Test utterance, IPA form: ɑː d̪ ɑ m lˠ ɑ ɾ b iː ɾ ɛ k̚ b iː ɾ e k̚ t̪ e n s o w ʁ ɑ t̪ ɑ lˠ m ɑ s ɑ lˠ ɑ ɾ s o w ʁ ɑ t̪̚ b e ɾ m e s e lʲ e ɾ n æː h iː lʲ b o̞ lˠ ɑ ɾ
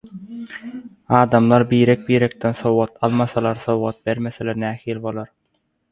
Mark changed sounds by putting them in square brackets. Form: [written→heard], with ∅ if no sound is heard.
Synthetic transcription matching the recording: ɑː d̪ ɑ m lˠ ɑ ɾ b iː ɾ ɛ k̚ b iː ɾ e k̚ t̪ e n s o w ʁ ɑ t̪ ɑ lˠ m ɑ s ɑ lˠ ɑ ɾ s o w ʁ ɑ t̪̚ b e ɾ m e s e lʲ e ɾ n æː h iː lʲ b o̞ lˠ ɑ ɾ